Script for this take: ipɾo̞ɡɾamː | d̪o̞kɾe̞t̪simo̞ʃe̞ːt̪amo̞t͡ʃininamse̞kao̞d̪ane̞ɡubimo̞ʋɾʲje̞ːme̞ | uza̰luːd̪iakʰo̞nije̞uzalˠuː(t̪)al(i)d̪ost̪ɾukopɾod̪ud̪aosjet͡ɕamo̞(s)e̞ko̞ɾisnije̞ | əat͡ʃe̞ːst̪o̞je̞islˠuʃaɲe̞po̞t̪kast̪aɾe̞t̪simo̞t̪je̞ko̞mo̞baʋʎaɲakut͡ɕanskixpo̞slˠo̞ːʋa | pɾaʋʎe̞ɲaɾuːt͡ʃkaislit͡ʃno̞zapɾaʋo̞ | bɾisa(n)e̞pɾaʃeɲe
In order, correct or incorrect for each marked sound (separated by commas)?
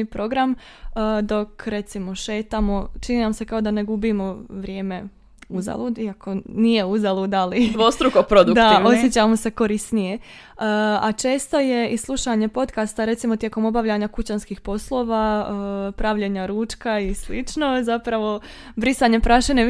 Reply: incorrect, correct, correct, incorrect